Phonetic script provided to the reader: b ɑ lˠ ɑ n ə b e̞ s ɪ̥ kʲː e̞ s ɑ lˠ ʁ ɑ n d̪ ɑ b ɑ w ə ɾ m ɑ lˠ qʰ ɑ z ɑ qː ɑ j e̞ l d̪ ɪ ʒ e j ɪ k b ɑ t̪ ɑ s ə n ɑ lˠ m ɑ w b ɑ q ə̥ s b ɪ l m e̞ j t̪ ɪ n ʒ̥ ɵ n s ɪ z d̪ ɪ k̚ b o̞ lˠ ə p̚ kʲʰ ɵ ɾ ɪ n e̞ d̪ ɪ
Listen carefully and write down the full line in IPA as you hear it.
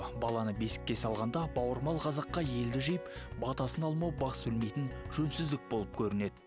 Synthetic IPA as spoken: b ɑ lˠ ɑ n ə b e̞ s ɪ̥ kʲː e̞ s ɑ lˠ ʁ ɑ n d̪ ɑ b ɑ w ə ɾ m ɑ lˠ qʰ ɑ z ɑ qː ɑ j e̞ l d̪ ɪ ʒ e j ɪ p b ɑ t̪ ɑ s ə n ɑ lˠ m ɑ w b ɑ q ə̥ s b ɪ l m e̞ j t̪ ɪ n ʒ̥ ɵ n s ɪ z d̪ ɪ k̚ b o̞ lˠ ə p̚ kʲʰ ɵ ɾ ɪ n e̞ d̪ ɪ